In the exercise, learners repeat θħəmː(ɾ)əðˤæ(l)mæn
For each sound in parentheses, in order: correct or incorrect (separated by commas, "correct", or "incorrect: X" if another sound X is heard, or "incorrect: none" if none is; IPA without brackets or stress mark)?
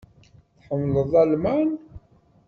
incorrect: l, correct